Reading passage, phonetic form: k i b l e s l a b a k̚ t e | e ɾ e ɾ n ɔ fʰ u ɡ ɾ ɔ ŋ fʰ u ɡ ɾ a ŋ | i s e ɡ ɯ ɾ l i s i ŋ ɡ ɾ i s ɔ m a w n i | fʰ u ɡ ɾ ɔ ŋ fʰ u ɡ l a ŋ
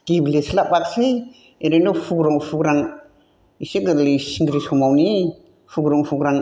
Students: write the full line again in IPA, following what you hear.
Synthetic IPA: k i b l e s l a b a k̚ s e | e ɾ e n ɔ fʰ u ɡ ɾ ɔ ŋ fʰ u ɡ ɾ a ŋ | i s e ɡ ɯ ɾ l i s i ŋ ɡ ɾ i s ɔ m a w n i | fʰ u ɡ ɾ ɔ ŋ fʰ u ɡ ɾ a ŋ